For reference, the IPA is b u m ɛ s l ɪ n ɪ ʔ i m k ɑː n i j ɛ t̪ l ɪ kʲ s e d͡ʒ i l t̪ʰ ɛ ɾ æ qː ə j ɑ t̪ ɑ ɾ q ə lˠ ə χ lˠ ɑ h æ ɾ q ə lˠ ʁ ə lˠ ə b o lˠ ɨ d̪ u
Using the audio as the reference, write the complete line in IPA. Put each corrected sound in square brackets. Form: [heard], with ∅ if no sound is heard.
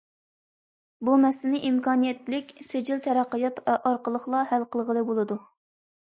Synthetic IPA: b u m ɛ s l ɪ n ɪ ʔ i m k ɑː n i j ɛ t̪ l ɪ kʲ s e d͡ʒ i l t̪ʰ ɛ ɾ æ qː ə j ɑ t̪ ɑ ɾ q ə lˠ ə χ lˠ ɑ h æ [l] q ə lˠ ʁ ə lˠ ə b o lˠ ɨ d̪ u